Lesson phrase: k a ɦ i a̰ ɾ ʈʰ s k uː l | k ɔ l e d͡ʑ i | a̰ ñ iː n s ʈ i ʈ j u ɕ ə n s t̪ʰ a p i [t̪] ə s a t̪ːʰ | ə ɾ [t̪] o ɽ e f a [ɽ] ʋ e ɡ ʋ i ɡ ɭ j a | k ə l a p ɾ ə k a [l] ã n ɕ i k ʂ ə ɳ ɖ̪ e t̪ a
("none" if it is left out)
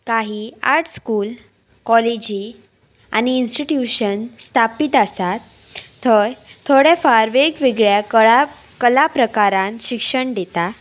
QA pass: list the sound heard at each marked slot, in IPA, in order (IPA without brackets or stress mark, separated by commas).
t̪, t̪ʰ, ɾ, ɾ